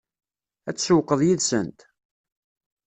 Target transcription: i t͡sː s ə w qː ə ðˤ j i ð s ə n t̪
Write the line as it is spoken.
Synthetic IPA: æ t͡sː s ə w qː ə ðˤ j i ð s ə n t̪